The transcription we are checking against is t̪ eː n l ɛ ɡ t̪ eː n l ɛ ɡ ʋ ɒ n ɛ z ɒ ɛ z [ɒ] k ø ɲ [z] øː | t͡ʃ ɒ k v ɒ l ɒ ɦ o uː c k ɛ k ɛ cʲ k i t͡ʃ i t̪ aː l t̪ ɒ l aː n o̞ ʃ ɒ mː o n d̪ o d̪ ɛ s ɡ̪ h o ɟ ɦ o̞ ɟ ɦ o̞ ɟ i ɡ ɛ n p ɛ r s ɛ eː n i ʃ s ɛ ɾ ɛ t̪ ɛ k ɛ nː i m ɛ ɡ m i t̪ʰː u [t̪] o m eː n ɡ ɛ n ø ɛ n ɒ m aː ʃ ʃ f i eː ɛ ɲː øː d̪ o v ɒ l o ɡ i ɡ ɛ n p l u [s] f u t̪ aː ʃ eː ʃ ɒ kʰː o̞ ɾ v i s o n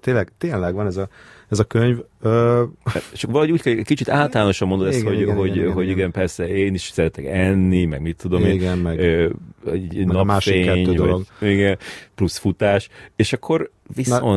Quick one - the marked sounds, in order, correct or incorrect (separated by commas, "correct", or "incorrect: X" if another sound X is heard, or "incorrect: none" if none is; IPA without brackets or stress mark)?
correct, incorrect: v, incorrect: d̪, correct